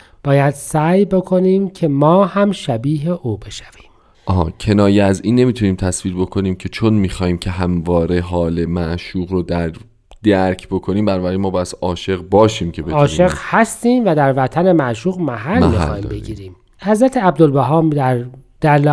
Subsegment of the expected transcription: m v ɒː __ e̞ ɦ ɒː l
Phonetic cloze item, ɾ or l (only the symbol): ɾ